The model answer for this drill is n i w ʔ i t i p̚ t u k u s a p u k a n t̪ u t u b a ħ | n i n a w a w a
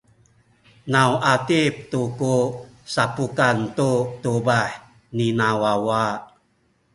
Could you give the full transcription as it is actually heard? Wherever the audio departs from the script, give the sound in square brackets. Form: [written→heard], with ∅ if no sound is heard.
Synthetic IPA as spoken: n [i→a] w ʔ [i→a] t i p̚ t u k u s a p u k a n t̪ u t u b a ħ | n i n a w a w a